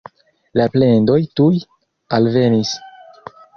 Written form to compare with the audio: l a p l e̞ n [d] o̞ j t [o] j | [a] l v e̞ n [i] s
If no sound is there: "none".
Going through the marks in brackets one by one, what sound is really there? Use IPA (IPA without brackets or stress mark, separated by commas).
d, u, a, i